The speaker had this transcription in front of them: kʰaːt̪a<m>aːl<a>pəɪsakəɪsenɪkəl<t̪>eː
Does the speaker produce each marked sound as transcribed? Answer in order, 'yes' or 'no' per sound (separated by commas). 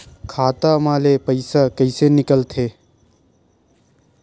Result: yes, no, no